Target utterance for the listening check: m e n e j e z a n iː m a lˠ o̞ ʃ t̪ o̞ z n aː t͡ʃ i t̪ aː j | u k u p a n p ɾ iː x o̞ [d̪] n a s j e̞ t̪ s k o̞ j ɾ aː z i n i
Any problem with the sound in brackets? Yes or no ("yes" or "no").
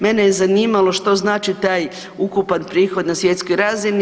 no